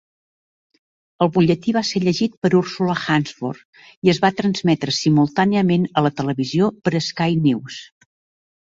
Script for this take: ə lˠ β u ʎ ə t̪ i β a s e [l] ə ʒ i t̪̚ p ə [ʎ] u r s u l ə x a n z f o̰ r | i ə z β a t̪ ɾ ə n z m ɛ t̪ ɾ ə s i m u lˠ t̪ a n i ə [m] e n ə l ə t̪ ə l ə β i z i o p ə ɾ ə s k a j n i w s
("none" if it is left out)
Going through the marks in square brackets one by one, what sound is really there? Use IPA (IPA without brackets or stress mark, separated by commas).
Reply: ʎ, ɾ, m